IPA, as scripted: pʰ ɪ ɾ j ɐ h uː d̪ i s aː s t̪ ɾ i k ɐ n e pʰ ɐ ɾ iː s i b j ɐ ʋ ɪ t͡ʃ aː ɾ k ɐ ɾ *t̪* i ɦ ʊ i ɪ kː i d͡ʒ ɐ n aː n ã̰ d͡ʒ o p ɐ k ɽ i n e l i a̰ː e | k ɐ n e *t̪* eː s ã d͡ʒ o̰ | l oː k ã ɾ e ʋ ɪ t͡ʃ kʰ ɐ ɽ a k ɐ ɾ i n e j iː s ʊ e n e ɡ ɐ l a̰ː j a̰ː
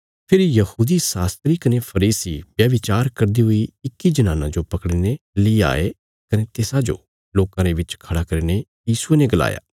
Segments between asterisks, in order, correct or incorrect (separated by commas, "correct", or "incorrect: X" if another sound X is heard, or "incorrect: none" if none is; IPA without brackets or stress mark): incorrect: d̪, correct